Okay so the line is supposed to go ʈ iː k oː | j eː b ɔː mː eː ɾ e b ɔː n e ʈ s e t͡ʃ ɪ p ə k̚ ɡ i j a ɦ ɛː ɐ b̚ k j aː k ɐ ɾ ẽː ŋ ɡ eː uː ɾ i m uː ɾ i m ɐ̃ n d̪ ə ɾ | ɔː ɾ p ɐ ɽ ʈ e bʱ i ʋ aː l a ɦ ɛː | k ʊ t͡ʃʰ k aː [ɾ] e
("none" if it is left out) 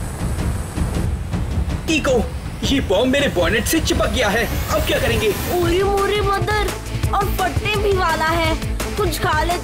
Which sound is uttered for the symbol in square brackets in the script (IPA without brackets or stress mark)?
l